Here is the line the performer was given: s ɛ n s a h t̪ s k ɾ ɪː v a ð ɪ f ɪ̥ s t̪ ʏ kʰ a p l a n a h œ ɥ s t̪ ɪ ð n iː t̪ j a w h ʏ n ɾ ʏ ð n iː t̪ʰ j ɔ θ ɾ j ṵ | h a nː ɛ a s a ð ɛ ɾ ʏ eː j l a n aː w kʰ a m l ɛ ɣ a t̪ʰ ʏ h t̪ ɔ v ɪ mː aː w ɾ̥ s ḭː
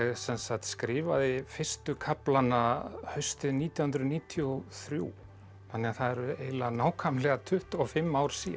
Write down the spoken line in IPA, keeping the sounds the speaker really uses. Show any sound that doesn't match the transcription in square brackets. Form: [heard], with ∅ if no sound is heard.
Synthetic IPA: s ɛ n s a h t̪ s k ɾ ɪː v a ð ɪ f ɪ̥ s t̪ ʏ kʰ a p l a n a h œ ɥ s t̪ ɪ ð n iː t̪ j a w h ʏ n ɾ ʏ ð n iː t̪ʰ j ɔ θ ɾ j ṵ | [θ] a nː ɛ a [θ] a ð ɛ ɾ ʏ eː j l a n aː w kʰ a m l ɛ ɣ a t̪ʰ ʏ h t̪ ɔ [f] ɪ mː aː w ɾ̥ s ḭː